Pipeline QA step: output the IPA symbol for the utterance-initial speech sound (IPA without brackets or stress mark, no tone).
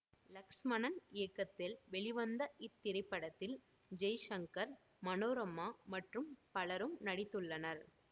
l